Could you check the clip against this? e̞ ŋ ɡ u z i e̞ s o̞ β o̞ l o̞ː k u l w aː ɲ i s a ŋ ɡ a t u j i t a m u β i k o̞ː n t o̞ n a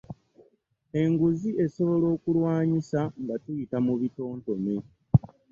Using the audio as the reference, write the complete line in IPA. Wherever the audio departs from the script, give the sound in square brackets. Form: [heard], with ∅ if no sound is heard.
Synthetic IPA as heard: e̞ ŋ ɡ u z i e̞ s o̞ β o̞ l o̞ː k u l w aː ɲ i s a ŋ ɡ a t u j i t a m u β i [t] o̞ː n t o̞ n [e]